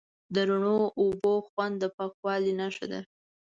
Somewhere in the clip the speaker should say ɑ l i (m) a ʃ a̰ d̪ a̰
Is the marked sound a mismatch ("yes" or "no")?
yes